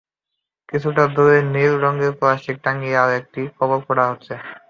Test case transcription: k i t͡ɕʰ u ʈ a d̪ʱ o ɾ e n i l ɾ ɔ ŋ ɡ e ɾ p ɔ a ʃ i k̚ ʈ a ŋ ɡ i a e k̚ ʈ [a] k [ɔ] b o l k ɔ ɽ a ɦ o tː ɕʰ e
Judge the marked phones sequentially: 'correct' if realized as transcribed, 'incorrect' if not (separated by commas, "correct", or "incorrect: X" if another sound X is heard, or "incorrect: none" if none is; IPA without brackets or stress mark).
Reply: incorrect: i, correct